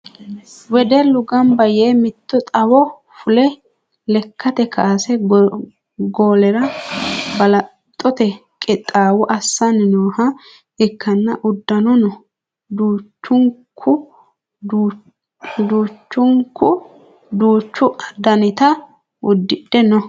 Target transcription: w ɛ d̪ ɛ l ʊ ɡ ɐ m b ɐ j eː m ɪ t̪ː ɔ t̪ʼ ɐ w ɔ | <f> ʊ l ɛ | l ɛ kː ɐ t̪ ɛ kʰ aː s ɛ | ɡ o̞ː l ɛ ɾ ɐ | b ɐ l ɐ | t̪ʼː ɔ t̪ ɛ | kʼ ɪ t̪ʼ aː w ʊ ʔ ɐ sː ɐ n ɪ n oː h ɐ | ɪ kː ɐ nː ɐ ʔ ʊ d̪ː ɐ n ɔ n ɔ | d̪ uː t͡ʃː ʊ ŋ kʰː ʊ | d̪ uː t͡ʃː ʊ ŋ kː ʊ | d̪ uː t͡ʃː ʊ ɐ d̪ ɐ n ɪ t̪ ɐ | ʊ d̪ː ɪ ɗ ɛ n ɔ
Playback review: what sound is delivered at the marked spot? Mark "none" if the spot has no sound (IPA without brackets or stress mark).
f